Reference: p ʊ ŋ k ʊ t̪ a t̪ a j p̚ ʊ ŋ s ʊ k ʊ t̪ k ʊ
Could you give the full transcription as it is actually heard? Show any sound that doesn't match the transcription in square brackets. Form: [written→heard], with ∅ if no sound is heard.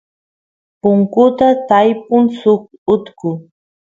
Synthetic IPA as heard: p ʊ ŋ k ʊ t̪ a t̪ a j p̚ ʊ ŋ s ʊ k ʊ t̪ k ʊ